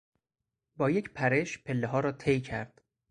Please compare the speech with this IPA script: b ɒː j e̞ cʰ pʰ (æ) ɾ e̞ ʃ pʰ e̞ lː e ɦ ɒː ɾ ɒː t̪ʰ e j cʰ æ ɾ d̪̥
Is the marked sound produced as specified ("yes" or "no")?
yes